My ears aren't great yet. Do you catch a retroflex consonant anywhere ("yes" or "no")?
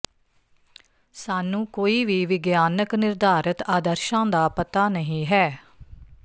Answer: no